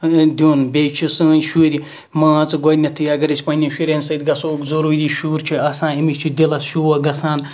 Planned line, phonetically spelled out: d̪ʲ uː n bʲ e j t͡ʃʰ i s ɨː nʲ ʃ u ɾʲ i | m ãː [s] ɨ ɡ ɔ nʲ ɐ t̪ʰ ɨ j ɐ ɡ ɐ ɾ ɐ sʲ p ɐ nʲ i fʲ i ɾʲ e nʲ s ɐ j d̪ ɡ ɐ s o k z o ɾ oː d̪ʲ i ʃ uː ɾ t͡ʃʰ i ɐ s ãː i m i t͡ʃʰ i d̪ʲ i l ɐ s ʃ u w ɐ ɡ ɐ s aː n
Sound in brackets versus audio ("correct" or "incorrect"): incorrect